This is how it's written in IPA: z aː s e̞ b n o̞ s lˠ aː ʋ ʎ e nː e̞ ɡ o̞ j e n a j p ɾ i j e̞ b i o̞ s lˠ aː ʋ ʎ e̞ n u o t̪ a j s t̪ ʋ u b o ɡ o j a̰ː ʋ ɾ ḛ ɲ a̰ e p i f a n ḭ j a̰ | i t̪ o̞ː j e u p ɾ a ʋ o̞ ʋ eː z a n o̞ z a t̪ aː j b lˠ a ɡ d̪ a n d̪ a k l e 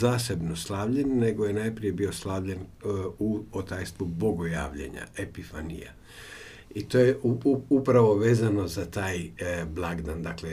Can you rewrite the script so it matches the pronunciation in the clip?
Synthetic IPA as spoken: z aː s e̞ b n o̞ s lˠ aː ʋ ʎ e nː e̞ ɡ o̞ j e n a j p ɾ i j e̞ b i o̞ s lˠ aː ʋ ʎ e̞ n u o t̪ a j s t̪ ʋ u b o ɡ o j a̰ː ʋ ʎ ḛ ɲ a̰ e p i f a n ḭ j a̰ | i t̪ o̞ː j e u p ɾ a ʋ o̞ ʋ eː z a n o̞ z a t̪ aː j b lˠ a ɡ d̪ a n d̪ a k l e